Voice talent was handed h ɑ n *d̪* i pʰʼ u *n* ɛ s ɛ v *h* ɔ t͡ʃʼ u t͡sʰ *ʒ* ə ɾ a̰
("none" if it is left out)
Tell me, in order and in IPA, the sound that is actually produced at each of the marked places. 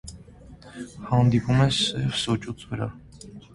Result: d̪, m, s, v

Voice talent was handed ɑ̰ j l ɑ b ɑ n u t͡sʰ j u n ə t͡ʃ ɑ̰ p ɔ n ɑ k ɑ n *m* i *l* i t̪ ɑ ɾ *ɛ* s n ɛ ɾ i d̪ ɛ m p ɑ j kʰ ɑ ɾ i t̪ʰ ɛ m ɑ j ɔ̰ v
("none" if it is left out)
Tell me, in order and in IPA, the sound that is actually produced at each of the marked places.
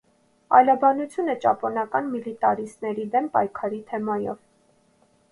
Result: m, l, i

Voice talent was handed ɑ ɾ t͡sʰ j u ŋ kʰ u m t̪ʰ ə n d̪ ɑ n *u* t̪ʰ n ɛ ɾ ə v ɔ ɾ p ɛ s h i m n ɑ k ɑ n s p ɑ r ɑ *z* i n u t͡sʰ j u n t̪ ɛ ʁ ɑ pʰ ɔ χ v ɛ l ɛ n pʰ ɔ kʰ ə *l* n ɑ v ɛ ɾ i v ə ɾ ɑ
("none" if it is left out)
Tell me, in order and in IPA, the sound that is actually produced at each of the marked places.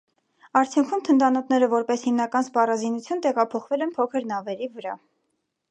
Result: ɔ, z, ɾ

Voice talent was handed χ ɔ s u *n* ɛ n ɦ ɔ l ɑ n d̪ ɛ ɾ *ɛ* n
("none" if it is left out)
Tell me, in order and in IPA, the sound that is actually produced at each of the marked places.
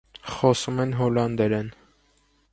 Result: m, ɛ

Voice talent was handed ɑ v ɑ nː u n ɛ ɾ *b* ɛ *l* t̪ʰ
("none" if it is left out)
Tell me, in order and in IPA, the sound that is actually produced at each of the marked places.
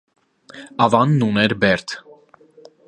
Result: b, ɾ

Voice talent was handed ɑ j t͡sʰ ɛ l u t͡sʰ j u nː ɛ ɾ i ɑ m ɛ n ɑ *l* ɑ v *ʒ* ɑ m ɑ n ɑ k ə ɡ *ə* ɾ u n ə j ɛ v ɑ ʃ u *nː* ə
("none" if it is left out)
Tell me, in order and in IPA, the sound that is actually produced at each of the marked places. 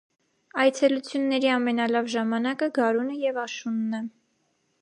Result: l, ʒ, ɑ, nː

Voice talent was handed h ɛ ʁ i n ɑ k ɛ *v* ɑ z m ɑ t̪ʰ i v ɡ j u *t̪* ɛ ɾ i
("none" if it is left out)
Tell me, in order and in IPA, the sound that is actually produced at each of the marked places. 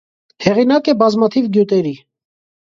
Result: b, t̪

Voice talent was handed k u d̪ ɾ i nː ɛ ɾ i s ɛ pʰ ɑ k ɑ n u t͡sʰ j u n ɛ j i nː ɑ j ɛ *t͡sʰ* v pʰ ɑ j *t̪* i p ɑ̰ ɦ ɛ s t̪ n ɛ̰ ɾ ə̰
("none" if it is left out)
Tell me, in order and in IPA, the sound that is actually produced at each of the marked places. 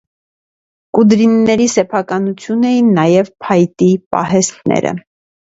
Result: none, t̪

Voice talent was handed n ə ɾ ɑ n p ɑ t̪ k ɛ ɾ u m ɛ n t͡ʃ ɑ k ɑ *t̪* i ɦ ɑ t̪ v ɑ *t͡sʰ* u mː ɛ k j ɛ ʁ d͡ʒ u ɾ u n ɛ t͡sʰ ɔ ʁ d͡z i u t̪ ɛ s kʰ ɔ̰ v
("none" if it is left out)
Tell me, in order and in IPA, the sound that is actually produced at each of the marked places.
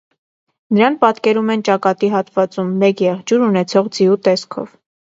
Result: t̪, t͡s

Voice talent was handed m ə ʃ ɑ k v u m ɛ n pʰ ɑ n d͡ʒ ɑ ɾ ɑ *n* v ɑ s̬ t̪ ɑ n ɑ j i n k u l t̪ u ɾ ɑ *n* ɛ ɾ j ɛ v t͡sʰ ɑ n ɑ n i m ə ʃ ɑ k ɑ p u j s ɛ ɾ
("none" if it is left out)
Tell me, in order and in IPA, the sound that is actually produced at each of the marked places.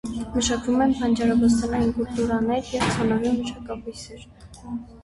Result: none, n

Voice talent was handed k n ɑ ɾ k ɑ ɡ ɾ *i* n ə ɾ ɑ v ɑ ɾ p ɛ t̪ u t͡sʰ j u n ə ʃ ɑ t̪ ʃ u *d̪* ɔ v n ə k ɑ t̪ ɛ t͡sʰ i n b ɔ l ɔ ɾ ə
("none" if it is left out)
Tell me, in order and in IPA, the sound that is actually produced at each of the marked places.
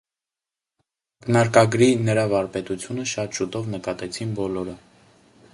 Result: i, t̪

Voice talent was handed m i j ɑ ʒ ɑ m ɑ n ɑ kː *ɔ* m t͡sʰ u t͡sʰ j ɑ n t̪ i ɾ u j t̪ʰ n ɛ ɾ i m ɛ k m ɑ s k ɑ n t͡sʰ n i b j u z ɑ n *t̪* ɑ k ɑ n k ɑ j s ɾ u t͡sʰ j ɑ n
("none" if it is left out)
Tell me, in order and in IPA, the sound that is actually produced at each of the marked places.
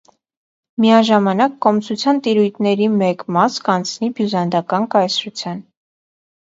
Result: ɔ, d̪

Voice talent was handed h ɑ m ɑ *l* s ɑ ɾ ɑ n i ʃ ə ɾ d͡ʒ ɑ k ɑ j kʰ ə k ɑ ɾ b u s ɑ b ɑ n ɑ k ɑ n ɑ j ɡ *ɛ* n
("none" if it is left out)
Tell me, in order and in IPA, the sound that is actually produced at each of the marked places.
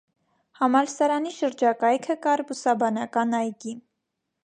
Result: l, i

